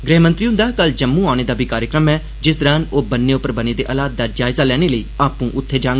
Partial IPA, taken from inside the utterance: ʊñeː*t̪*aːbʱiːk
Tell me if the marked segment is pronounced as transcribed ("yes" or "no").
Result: no